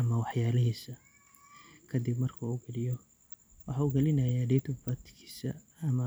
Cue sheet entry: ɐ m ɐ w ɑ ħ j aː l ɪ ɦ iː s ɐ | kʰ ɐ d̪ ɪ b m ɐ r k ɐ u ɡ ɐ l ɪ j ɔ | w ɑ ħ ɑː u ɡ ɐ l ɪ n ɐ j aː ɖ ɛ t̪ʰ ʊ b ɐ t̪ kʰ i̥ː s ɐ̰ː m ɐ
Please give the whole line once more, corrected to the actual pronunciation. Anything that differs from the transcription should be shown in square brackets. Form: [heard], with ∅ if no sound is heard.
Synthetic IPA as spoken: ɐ m ɐ w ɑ ħ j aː l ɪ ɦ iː s ɐ | kʰ ɐ d̪ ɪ b m ɐ r [kʰ] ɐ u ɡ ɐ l ɪ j ɔ | w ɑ ħ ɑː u ɡ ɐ l ɪ n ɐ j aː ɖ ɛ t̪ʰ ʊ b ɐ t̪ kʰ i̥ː s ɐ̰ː m ɐ